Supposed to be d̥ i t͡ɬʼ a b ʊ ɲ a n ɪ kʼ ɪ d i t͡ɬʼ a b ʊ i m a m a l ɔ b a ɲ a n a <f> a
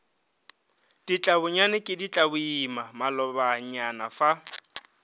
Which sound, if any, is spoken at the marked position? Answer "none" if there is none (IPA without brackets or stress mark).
f